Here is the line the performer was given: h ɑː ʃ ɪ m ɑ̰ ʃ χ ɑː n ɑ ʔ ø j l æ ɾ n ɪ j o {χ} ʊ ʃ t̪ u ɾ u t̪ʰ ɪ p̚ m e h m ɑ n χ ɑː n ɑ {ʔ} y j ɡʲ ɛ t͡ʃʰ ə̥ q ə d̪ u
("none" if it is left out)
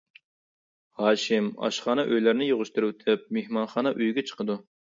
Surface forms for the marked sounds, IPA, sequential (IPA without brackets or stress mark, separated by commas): ʁ, ʔ